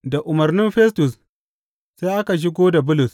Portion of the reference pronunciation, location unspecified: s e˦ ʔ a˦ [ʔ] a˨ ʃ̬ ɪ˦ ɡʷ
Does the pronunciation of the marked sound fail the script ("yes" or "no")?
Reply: yes